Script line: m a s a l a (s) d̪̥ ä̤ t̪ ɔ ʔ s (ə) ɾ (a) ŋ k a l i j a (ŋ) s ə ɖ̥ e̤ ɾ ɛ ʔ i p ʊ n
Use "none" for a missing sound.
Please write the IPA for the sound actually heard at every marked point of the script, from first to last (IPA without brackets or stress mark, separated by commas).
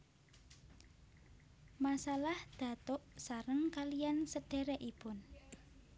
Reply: h, a, ə, n